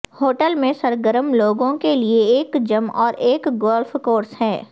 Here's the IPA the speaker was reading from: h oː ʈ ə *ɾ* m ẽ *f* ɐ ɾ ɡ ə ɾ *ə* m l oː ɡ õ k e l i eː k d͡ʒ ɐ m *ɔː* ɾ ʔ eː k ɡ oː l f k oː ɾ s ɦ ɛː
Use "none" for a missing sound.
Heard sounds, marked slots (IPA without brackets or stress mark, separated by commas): l, s, ə, ɔː